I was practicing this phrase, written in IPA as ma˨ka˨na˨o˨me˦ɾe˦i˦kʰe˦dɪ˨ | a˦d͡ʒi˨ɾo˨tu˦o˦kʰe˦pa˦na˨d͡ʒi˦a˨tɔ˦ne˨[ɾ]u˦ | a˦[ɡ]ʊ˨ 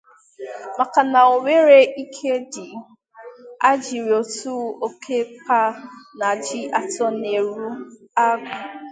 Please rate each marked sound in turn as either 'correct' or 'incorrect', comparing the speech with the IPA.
correct, correct

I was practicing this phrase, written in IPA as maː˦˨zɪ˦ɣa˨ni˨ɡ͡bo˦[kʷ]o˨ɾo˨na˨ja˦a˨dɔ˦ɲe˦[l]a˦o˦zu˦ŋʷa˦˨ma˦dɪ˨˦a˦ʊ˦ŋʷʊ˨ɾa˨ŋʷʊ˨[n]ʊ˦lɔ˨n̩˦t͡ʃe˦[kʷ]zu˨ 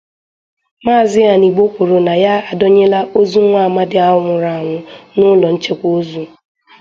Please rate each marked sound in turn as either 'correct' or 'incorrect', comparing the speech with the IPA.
correct, correct, correct, correct

